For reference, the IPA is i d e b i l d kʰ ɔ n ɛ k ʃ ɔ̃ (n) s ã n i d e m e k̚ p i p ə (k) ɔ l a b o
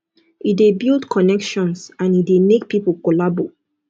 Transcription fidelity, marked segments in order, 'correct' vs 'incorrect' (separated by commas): correct, correct